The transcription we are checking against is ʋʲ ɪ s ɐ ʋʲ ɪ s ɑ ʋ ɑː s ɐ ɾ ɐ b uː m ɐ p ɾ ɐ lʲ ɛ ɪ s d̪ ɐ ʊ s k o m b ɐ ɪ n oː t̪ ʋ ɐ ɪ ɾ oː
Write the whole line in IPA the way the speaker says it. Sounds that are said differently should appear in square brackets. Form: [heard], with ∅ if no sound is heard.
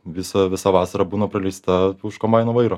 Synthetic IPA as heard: ʋʲ ɪ s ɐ ʋʲ ɪ s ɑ ʋ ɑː s ɐ ɾ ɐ b uː [n] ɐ p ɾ ɐ lʲ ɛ ɪ s [t̪] ɐ ʊ [ʃ] k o m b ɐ ɪ n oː [∅] ʋ ɐ ɪ ɾ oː